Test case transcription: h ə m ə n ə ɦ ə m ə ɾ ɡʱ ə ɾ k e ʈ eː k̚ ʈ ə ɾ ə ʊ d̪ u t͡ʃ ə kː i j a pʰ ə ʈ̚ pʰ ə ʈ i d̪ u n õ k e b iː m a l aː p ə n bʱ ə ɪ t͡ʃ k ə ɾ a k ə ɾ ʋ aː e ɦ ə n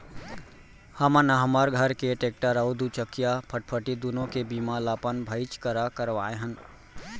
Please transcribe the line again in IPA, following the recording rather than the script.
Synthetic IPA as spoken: h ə m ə n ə ɦ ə m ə ɾ ɡʱ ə ɾ k e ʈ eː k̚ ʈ ə ɾ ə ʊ d̪ u t͡ʃ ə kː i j a pʰ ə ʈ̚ pʰ ə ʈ i d̪ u n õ k e b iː m a l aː p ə n bʱ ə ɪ t͡ʃ k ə ɾ a k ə ɾ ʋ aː e ɦ ə n